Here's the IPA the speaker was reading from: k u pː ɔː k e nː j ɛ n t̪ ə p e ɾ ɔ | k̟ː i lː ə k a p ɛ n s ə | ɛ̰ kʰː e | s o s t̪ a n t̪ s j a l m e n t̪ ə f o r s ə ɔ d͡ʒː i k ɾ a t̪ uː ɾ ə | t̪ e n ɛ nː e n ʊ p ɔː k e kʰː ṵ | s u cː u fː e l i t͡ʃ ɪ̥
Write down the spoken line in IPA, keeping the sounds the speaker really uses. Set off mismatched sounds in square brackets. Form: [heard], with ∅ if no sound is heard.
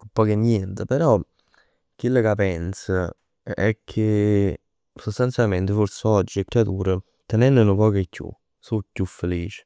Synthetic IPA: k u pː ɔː k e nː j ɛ n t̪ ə p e ɾ ɔ | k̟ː i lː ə k a p ɛ n s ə | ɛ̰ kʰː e | s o s t̪ a n t̪ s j a l m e n t̪ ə f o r s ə ɔ d͡ʒː i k ɾ a t̪ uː ɾ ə | t̪ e n ɛ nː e n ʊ p ɔː k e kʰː ṵ | s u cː u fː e l [iː] t͡ʃ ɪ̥